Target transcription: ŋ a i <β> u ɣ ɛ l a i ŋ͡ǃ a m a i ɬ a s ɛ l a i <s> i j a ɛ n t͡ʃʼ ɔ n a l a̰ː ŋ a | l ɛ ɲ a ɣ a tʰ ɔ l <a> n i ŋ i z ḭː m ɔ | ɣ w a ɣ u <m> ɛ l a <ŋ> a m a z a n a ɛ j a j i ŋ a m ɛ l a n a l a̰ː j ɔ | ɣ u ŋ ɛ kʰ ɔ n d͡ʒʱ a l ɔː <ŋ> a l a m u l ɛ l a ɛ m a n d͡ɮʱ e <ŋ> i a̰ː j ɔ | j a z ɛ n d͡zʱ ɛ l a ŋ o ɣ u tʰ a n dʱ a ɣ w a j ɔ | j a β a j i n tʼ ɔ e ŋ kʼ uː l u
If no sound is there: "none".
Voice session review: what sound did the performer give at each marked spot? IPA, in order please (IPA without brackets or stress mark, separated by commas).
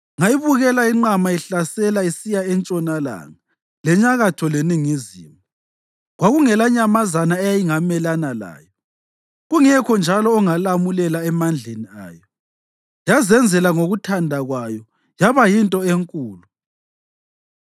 β, s, e, ŋ, ɲ, ŋ, n